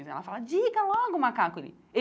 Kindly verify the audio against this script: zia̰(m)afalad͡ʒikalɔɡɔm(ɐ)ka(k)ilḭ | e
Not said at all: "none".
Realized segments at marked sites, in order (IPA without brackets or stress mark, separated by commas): none, a, k